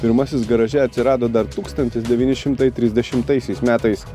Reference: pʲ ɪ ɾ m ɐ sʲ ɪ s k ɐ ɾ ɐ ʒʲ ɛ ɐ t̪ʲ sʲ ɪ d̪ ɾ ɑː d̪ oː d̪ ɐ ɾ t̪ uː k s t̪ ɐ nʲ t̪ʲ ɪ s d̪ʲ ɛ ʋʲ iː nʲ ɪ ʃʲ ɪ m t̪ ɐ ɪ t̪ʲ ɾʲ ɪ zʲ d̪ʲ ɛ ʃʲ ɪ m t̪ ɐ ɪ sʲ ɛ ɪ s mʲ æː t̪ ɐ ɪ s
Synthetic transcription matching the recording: pʲ ɪ ɾ m ɐ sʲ ɪ s ɡ ɐ ɾ ɐ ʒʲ ɛ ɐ t̪ʲ sʲ ɪ ɾ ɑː d̪ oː d̪ ɐ ɾ t̪ uː k s t̪ ɐ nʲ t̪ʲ ɪ s d̪ʲ ɛ ʋʲ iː nʲ ɪ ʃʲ ɪ m t̪ ɐ ɪ t̪ʲ ɾʲ ɪ zʲ d̪ʲ ɛ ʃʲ ɪ m t̪ ɐ ɪ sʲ ɛ ɪ s mʲ æː t̪ ɐ ɪ s